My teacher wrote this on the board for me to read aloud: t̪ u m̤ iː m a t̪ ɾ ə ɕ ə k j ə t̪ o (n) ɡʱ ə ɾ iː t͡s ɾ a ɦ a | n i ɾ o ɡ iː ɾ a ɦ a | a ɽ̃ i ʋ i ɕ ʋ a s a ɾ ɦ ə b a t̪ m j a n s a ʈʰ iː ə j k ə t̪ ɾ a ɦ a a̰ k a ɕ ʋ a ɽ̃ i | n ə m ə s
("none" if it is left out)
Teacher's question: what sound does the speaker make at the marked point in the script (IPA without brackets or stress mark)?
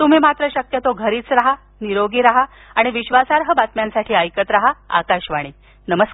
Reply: none